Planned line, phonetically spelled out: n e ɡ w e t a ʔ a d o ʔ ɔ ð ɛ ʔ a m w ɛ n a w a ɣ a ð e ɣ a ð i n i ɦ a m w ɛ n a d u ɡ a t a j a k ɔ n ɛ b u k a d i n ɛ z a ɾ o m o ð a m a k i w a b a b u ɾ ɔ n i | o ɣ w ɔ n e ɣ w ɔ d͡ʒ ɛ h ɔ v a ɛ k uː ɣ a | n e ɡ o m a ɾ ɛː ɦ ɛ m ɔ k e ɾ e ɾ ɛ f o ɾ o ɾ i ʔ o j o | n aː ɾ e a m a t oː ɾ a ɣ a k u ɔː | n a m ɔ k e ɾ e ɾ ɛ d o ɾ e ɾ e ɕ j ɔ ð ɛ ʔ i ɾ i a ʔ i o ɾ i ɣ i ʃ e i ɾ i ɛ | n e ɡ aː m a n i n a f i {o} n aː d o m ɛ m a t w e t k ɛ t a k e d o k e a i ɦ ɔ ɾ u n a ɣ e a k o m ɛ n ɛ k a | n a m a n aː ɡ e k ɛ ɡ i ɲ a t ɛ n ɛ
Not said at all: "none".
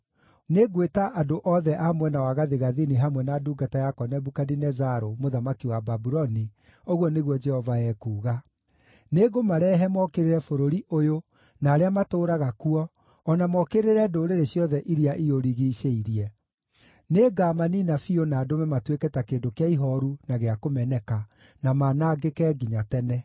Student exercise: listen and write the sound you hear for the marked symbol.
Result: o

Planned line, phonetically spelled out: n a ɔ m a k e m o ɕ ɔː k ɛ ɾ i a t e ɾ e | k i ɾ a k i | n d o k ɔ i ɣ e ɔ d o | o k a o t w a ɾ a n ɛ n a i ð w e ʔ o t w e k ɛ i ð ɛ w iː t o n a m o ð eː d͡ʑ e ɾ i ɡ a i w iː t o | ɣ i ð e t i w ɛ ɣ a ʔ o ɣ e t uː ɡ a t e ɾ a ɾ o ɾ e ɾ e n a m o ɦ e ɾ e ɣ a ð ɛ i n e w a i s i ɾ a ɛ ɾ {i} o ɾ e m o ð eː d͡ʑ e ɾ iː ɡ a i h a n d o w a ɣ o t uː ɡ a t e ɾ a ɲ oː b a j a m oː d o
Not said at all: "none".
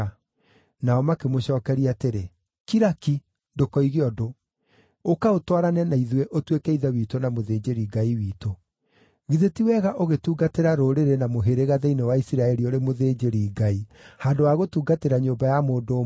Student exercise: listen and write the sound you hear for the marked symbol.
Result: i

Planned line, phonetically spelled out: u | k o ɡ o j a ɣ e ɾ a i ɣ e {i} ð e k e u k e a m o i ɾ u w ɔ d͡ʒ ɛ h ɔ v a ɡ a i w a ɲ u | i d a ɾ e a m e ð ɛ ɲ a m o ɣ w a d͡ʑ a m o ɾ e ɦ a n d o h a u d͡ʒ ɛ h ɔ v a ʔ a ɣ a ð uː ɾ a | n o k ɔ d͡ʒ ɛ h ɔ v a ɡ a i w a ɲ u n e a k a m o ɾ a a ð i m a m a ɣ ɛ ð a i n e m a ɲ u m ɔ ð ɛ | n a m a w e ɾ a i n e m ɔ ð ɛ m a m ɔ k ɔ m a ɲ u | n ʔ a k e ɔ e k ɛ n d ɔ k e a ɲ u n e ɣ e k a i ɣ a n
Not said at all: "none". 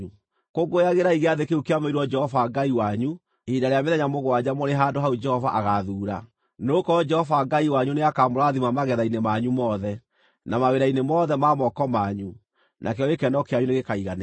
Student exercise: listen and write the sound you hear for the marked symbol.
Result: a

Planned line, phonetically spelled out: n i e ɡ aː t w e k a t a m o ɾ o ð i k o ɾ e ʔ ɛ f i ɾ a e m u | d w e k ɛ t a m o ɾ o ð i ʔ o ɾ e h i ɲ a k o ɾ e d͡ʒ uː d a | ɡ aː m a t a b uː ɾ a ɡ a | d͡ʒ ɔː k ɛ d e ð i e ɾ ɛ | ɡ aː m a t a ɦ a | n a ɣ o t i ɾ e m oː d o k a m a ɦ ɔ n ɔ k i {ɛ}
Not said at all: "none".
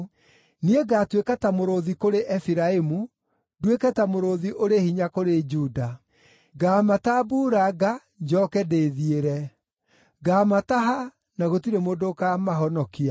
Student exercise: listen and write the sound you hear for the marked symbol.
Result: a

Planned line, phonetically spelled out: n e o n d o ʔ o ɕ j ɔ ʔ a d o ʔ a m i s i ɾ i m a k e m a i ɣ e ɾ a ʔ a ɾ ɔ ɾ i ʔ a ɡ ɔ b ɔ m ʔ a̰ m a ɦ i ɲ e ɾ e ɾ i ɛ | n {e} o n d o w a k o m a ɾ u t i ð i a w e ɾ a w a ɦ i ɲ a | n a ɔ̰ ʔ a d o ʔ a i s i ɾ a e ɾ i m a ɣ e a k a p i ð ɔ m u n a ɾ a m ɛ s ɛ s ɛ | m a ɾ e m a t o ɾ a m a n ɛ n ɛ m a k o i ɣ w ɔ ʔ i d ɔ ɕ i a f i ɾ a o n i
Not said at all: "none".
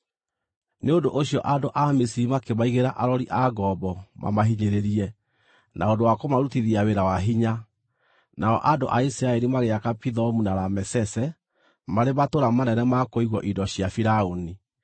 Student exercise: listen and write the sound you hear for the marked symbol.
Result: a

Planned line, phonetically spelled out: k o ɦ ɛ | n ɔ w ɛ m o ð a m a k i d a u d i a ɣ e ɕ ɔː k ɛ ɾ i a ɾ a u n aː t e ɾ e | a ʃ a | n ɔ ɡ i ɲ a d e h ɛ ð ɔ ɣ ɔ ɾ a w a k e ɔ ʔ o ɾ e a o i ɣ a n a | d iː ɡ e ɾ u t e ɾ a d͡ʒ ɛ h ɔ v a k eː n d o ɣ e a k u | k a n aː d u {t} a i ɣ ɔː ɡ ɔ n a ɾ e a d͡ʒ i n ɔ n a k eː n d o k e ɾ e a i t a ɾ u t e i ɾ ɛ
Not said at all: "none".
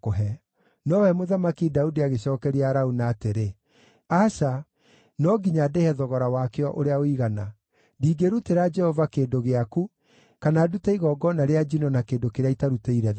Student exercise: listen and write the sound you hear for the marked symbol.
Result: t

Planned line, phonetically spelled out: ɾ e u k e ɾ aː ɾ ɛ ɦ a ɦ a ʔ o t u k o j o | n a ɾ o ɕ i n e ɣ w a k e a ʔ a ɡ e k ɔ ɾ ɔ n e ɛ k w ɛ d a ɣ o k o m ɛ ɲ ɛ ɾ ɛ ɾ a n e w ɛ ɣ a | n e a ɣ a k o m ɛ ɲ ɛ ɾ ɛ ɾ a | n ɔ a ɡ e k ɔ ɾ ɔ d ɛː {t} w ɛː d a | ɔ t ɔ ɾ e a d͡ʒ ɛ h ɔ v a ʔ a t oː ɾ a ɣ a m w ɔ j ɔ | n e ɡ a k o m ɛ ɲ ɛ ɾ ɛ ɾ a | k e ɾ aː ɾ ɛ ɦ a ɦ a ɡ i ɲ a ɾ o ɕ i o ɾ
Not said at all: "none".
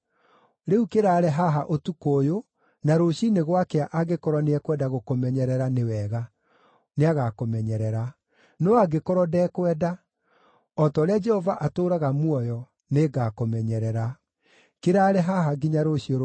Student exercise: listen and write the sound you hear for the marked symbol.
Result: k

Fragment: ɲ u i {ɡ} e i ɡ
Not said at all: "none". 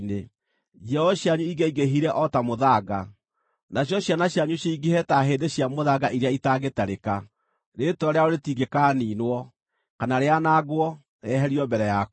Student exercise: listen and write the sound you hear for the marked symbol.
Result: ɡ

